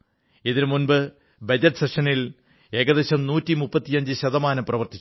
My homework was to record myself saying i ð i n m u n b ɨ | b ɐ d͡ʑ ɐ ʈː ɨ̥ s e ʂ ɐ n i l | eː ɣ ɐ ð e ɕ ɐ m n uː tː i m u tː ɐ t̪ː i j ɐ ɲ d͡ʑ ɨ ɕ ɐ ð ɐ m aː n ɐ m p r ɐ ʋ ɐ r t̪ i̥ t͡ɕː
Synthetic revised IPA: i ð i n m u n b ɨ | b ɐ d͡ʑ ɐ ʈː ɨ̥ s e ʂ ɐ n i l | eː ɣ ɐ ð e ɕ ɐ m n uː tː i m u pː ɐ t̪ː i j ɐ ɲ d͡ʑ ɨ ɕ ɐ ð ɐ m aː n ɐ m p r ɐ ʋ ɐ r t̪ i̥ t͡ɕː